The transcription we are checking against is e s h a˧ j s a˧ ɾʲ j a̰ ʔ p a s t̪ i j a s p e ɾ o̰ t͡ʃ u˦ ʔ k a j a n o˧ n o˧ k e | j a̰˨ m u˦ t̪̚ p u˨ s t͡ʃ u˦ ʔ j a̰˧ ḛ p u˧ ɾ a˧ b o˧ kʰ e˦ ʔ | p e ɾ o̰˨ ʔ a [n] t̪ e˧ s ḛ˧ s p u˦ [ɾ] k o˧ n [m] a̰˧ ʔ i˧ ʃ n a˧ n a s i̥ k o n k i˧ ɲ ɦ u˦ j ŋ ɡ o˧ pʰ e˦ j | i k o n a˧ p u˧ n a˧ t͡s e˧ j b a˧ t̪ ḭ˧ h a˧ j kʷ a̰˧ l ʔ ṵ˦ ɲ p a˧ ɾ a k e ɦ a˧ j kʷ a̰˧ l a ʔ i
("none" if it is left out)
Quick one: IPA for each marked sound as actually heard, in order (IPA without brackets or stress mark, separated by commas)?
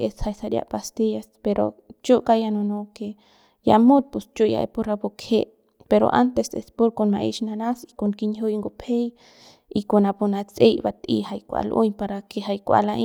n, ɾ, m